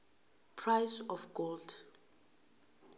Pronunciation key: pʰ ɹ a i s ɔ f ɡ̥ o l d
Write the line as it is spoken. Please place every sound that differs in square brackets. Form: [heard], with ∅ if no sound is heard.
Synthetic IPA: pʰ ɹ a [j] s ɔ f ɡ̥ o l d